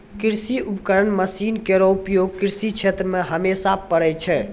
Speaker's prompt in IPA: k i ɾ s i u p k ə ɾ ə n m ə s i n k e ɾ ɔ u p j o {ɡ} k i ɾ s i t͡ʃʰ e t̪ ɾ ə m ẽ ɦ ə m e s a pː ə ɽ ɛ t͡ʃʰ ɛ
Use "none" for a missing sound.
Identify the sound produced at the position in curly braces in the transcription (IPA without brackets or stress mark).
ɡ